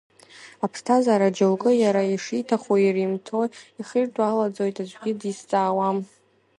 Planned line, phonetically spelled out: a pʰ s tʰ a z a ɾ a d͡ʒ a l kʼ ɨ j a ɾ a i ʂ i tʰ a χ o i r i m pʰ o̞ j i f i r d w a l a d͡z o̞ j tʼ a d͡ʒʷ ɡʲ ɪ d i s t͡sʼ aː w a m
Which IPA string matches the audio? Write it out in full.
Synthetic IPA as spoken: a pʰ s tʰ a z a ɾ a d͡ʒ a l kʼ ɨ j a ɾ a i ʂ i tʰ a χ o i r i m tʰ o̞ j i χ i r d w a l a d͡z o̞ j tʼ a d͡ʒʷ ɡʲ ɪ d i s t͡sʼ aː w a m